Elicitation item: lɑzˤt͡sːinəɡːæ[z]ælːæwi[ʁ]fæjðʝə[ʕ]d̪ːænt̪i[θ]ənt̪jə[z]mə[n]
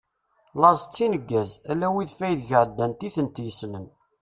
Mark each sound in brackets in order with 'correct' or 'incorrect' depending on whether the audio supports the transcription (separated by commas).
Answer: correct, incorrect, correct, correct, incorrect, correct